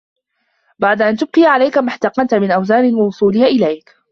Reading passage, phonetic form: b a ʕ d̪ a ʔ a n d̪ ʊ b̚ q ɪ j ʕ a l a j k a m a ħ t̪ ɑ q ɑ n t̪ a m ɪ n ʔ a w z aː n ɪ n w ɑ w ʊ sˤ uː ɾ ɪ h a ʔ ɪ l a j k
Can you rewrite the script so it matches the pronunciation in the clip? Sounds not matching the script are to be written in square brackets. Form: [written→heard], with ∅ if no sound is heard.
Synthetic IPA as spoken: b a ʕ d̪ a ʔ a n [d̪→t̪] ʊ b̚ q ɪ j ʕ a l a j k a m a ħ t̪ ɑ q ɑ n t̪ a m ɪ n ʔ a w z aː n ɪ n w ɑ w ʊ sˤ uː [ɾ→l] ɪ h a ʔ ɪ l a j k